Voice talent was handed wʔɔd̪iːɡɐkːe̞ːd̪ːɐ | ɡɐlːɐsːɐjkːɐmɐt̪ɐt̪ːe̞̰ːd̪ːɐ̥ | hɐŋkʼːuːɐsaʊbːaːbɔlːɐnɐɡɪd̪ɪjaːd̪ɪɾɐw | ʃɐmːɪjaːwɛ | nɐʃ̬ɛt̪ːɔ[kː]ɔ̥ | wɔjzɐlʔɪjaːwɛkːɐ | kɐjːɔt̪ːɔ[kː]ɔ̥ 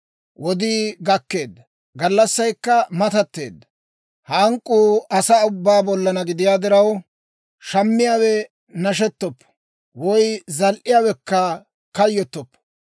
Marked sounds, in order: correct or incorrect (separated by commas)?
incorrect, incorrect